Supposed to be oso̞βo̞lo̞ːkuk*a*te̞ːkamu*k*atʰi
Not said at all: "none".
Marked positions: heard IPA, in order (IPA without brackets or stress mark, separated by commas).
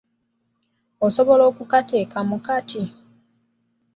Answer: a, k